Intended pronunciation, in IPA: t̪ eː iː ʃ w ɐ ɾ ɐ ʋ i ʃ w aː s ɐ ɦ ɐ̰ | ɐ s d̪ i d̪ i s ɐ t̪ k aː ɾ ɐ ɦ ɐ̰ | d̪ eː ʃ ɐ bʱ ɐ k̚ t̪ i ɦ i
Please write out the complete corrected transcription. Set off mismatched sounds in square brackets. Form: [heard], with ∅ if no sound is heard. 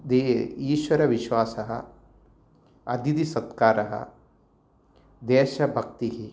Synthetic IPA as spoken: [d̪] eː iː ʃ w ɐ ɾ ɐ ʋ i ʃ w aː s ɐ ɦ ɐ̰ | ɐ [∅] d̪ i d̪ i s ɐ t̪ k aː ɾ ɐ ɦ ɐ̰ | d̪ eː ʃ ɐ bʱ ɐ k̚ t̪ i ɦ i